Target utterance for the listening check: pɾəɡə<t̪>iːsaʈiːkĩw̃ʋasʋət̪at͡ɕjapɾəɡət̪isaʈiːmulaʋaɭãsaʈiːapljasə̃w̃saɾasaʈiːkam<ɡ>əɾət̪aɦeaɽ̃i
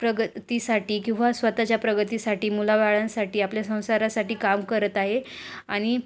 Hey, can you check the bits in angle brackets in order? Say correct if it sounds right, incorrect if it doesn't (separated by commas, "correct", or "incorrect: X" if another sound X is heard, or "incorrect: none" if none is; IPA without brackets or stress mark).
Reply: correct, incorrect: k